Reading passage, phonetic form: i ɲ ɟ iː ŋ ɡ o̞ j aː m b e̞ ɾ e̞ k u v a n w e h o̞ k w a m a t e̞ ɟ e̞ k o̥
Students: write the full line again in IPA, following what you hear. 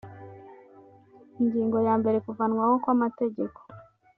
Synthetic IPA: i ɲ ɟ iː ŋ ɡ o̞ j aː m b e̞ ɾ e̞ k u v a n w a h o̞ k w a m a t e̞ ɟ e̞ k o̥